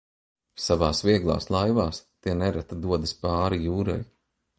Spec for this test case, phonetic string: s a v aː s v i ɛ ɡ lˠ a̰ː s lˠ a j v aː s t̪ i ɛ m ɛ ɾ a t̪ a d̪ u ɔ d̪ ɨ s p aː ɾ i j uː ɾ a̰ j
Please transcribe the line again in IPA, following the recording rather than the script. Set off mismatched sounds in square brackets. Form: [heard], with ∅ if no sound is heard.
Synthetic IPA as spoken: s a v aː s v i ɛ ɡ lˠ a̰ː s lˠ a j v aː s t̪ i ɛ [n] ɛ ɾ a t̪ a d̪ u ɔ d̪ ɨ s p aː ɾ i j uː ɾ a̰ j